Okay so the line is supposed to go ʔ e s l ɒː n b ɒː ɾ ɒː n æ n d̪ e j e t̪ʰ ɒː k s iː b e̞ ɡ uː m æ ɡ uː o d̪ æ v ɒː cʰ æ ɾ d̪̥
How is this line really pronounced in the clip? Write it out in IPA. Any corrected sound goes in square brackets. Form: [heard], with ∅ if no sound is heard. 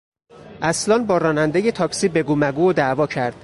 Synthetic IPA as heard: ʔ [æ] s l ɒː n b ɒː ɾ ɒː n æ n d̪ e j e t̪ʰ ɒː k s iː b e̞ ɡ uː m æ ɡ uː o d̪ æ v ɒː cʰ æ ɾ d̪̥